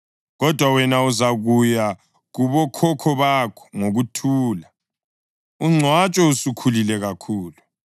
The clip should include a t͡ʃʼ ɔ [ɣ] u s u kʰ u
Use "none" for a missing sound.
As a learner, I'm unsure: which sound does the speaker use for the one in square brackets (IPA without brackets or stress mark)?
none